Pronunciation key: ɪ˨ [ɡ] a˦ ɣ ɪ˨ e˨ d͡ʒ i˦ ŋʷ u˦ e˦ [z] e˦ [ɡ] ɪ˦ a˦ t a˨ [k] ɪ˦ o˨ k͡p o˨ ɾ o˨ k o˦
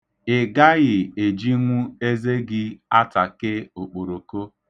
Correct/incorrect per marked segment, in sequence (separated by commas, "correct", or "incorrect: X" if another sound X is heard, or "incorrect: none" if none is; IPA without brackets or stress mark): correct, correct, correct, correct